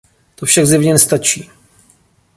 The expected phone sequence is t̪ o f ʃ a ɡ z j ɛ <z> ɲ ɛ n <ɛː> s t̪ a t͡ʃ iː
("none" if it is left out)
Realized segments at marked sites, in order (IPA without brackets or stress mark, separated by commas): v, ɛ